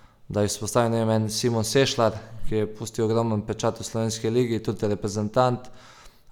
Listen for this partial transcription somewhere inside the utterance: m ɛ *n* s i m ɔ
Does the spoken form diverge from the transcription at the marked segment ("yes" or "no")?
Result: no